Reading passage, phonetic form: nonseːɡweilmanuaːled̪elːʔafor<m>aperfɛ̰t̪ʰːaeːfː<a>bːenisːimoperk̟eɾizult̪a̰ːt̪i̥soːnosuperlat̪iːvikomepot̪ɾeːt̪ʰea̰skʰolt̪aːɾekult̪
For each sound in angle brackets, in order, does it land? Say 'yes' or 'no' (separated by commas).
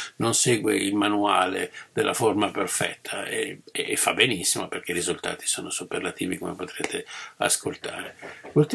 yes, yes